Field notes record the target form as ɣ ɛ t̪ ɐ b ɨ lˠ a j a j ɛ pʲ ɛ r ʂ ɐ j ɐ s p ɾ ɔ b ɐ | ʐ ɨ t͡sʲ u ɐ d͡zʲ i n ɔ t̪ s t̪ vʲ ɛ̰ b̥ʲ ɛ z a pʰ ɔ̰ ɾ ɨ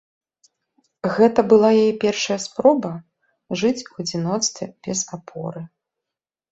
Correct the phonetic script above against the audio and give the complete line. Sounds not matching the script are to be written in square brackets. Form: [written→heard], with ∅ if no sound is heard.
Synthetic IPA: ɣ ɛ t̪ ɐ b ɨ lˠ a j a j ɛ pʲ ɛ r ʂ ɐ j ɐ s p ɾ ɔ b ɐ | ʐ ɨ t͡sʲ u ɐ d͡zʲ i n ɔ t̪ s t̪ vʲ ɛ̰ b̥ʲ ɛ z a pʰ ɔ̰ ɾ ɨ